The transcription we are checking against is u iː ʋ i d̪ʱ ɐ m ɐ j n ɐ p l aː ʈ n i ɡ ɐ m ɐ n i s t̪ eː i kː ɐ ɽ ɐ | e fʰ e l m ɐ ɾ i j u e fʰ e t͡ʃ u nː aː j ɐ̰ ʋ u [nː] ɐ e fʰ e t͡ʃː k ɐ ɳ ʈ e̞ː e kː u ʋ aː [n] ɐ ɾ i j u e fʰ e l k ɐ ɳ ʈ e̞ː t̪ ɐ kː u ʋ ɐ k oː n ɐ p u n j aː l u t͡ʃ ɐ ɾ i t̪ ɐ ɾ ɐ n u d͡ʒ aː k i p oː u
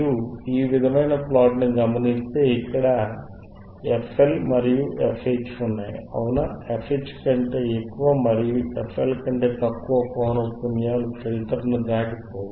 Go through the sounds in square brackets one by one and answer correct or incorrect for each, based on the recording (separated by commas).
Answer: incorrect, incorrect